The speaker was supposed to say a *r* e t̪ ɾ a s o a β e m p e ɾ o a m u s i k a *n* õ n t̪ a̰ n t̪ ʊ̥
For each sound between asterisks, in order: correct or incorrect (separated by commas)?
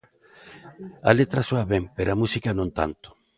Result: incorrect, correct